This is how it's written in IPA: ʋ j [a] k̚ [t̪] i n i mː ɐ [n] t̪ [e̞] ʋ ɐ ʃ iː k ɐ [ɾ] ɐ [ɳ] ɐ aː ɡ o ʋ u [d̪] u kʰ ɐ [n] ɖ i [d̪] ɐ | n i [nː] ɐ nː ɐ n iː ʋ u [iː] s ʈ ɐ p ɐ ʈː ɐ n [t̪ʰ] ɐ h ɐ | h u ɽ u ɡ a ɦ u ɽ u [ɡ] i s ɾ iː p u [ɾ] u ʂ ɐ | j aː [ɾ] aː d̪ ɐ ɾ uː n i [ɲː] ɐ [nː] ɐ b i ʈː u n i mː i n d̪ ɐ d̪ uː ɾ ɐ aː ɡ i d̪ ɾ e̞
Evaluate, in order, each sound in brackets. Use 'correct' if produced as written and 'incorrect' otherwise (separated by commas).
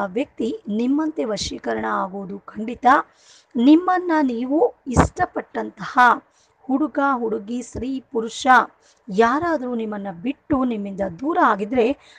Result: incorrect, correct, correct, correct, correct, correct, correct, incorrect, incorrect, incorrect, incorrect, incorrect, correct, correct, correct, incorrect, correct